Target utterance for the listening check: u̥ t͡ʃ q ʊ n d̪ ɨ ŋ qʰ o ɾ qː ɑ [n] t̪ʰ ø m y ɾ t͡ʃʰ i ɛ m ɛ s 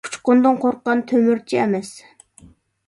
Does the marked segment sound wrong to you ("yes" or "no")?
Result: no